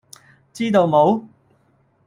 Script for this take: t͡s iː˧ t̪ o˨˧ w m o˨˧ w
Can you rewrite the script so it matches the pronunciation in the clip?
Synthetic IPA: t͡s iː˥ t̪ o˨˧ w m o˨˧ w

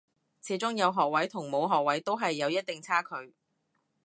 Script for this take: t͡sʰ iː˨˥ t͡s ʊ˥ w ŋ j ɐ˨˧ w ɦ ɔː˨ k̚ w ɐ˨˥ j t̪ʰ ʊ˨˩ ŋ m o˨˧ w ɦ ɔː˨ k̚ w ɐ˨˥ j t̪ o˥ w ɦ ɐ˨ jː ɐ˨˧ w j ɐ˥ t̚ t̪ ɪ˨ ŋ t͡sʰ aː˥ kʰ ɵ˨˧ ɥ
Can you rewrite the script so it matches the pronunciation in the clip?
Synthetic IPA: t͡sʰ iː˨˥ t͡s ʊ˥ ŋ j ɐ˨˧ w ɦ ɔː˨ k̚ w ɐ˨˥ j t̪ʰ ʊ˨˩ ŋ m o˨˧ w ɦ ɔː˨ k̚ w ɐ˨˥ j t̪ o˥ w ɦ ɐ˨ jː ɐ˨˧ w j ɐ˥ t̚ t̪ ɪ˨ ŋ t͡sʰ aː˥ kʰ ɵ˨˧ ɥ

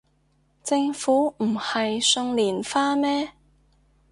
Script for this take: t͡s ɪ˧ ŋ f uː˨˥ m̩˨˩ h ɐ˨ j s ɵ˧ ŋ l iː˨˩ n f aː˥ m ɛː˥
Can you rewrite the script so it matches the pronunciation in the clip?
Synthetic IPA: t͡s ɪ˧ ŋ f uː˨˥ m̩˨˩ h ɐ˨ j s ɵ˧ ŋ l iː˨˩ n f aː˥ m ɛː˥

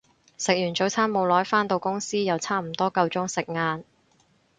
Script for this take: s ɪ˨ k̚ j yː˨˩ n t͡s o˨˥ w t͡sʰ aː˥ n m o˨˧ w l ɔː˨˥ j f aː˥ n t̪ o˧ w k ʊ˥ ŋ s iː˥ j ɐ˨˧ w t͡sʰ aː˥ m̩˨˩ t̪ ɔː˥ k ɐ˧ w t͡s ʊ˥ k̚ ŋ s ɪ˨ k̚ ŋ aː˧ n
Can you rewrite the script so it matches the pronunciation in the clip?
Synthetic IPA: s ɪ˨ k̚ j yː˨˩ n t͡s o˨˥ w t͡sʰ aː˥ n m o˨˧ w l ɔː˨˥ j f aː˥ n t̪ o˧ w k ʊ˥ ŋ s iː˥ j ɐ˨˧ w t͡sʰ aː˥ m̩˨˩ t̪ ɔː˥ k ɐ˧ w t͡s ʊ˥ ŋ s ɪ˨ k̚ ŋ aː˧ n

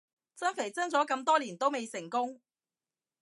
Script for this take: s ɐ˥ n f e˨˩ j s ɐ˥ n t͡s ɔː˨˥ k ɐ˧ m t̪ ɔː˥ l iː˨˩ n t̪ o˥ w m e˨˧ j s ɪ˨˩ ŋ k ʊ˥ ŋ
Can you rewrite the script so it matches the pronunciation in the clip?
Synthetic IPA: t͡s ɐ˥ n f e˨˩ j t͡s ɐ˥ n t͡s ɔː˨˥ k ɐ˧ m t̪ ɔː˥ l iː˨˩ n t̪ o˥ w m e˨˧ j s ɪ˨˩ ŋ k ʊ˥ ŋ

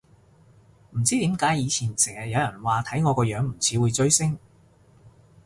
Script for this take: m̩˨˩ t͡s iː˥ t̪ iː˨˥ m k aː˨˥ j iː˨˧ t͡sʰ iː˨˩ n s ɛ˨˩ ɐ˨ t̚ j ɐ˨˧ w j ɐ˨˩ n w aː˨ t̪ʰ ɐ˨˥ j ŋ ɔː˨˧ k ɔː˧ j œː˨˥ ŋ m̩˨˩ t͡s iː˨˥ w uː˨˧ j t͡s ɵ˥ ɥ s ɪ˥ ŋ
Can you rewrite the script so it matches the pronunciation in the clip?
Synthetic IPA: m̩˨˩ t͡s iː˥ t̪ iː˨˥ m k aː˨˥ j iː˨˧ t͡sʰ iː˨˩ n s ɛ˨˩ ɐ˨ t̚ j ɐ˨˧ w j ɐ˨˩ n w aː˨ t̪ʰ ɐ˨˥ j ŋ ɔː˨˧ k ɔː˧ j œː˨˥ ŋ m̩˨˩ t͡sʰ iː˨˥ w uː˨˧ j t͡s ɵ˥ ɥ s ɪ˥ ŋ

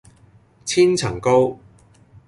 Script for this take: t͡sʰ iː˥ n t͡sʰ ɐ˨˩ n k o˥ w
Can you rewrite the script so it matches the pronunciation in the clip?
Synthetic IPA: t͡sʰ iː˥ n t͡sʰ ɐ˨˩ ŋ k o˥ w

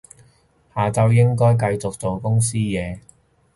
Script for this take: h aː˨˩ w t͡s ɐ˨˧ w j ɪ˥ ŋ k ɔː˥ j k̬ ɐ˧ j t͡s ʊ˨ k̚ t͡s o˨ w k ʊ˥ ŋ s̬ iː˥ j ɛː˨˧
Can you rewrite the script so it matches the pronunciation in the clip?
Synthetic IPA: h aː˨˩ t͡s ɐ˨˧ w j ɪ˥ ŋ k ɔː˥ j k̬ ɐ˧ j t͡s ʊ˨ k̚ t͡s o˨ w k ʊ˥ ŋ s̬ iː˥ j ɛː˨˧

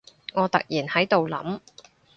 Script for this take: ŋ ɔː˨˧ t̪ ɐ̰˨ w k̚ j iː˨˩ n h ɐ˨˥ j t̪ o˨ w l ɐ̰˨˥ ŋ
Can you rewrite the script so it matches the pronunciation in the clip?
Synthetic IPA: ŋ ɔː˨˧ t̪ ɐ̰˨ k̚ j iː˨˩ n h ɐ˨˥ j t̪ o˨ w l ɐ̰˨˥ m

